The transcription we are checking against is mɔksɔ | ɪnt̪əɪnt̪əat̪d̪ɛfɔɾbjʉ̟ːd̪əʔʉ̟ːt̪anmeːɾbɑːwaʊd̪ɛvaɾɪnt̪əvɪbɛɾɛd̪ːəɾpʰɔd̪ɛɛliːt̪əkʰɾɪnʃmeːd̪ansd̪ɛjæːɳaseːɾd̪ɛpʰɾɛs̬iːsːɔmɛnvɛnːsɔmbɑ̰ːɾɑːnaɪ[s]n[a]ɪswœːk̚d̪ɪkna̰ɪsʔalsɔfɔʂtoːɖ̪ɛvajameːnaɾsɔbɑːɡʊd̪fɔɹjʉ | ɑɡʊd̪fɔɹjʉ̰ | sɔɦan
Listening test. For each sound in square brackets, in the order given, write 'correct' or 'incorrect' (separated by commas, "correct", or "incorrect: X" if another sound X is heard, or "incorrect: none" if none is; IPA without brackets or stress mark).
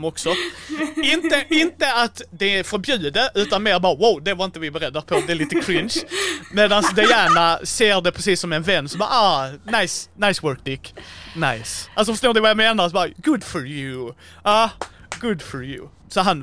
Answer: correct, correct